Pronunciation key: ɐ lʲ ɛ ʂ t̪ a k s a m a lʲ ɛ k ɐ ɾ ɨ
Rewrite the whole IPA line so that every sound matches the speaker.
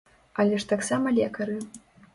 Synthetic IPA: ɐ lʲ ɛ ʂ t̪ a k s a m ɐ lʲ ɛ k ɐ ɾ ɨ